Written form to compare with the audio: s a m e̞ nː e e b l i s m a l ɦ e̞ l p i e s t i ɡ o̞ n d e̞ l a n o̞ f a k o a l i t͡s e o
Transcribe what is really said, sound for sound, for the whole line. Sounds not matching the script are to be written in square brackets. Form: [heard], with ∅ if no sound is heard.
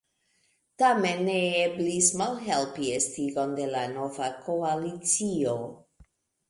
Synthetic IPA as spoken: [t] a m e̞ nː e e b l i s m a l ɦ e̞ l p i e s t i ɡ o̞ n d e̞ l a n o̞ [v] a k o a l i t͡s [i] o

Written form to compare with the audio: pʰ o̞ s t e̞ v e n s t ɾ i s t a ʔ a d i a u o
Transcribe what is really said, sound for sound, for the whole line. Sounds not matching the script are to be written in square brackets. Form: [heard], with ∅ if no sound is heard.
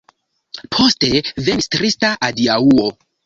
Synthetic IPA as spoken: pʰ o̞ s t e̞ v e n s t ɾ i s t a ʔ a d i a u o

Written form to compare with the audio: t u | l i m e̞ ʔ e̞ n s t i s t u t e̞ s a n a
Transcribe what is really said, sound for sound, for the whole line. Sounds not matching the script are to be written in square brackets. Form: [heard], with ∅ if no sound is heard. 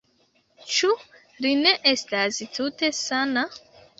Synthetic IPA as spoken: [t͡ʃ] u | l i [n] e̞ ʔ e̞ [∅] s t [a] s t u t e̞ s a n a

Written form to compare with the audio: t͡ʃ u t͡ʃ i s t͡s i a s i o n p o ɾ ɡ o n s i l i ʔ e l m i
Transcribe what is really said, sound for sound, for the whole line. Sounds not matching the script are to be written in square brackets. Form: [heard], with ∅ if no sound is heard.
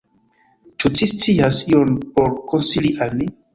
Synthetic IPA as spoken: t͡ʃ u t͡ʃ i s t͡s i a s i o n p o ɾ [k] o n s i l i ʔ [a] l m i

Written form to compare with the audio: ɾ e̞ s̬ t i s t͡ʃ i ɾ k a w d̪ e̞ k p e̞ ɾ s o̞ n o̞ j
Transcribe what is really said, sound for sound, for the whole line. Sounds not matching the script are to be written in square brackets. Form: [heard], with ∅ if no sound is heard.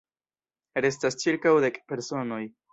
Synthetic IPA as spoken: ɾ e̞ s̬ t [a] s t͡ʃ i ɾ k a w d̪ e̞ k p e̞ ɾ s o̞ n o̞ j

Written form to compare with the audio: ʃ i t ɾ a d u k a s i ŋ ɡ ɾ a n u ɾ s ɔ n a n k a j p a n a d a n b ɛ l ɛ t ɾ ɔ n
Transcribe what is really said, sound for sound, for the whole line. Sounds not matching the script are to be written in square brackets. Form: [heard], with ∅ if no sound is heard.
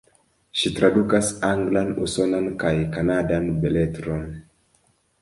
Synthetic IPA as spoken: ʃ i t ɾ a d u k a s [a] ŋ ɡ [l] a n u [∅] s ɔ n a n k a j [k] a n a d a n b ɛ l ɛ t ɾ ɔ n

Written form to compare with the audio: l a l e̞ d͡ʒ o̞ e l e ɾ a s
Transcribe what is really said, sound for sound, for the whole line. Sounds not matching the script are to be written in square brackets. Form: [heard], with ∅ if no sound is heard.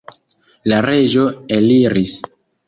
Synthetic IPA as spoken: l a [ɾ] e̞ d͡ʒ o̞ e l [i] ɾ [i] s

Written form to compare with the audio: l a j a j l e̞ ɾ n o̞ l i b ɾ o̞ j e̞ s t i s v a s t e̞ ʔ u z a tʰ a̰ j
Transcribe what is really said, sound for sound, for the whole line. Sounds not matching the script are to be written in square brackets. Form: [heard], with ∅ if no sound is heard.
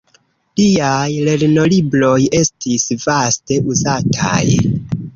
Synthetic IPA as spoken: l [i] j a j l e̞ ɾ n o̞ l i b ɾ o̞ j e̞ s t i s v a s t e̞ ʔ u z a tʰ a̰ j

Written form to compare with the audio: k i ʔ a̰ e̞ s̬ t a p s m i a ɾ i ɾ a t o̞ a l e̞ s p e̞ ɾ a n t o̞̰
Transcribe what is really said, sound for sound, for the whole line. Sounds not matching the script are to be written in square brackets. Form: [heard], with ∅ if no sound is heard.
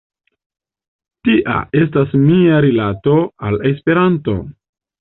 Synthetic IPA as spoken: [t] i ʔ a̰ e̞ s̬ t a [∅] s m i a ɾ i [l] a t o̞ a l e̞ s p e̞ ɾ a n t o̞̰

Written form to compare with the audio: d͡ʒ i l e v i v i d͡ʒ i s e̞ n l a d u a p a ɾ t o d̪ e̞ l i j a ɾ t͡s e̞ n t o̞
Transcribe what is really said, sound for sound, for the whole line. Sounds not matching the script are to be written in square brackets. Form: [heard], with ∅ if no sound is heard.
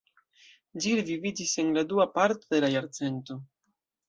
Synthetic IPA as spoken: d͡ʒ i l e v i v i d͡ʒ i s e̞ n l a d u a p a ɾ t o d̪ e̞ l [a] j a ɾ t͡s e̞ n t o̞

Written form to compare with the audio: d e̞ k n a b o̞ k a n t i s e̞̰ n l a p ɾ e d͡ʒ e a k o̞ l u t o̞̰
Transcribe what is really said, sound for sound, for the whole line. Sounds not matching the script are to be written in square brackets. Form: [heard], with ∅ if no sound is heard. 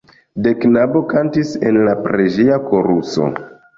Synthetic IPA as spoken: d e̞ k n a b o̞ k a n t i s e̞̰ n l a p ɾ e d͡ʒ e a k o̞ [ɾ] u [s] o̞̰

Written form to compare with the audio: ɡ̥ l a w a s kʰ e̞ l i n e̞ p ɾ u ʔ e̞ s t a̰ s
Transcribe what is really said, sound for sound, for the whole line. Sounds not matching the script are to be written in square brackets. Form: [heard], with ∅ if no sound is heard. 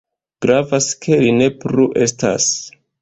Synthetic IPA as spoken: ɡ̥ [ɾ] a [v] a s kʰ e̞ l i n e̞ p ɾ u ʔ e̞ s t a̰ s

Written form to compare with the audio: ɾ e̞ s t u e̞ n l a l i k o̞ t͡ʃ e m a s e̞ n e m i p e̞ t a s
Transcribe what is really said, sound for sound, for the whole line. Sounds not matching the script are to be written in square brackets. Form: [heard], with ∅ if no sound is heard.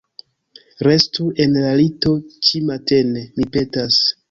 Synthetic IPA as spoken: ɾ e̞ s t u e̞ n l a l i [t] o̞ t͡ʃ [i] m a [t] e̞ n e m i p e̞ t a s

